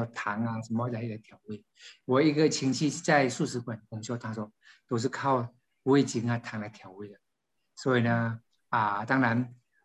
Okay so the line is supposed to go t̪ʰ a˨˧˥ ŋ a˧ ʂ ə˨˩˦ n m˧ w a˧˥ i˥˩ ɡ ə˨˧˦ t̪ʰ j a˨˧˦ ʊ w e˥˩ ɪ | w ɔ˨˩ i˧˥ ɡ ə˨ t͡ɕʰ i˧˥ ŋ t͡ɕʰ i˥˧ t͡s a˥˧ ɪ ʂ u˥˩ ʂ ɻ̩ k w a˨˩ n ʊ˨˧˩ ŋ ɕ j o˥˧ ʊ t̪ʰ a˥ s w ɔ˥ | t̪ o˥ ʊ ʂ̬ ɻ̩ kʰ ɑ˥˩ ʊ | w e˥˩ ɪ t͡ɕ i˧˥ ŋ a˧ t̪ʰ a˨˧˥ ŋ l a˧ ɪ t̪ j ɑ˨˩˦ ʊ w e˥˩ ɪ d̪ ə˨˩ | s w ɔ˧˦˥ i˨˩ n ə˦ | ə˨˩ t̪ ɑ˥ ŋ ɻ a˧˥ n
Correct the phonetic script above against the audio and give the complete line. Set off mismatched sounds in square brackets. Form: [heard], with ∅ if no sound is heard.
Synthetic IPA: t̪ʰ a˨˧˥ ŋ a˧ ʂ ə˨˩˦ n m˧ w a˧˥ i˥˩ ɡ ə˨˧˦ t̪ʰ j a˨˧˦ ʊ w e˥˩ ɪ | w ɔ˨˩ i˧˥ ɡ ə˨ t͡ɕʰ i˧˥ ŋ t͡ɕʰ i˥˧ t͡s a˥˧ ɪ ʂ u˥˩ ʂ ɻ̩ k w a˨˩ n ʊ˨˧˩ ŋ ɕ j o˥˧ ʊ t̪ʰ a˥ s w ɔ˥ | t̪ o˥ ʊ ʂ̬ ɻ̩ kʰ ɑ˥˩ ʊ | w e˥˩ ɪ t͡ɕ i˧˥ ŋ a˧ t̪ʰ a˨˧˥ ŋ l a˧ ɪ [t̪ʰ] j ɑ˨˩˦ ʊ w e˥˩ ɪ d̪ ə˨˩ | s w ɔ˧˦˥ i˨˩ n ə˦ | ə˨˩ t̪ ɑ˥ ŋ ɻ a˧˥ n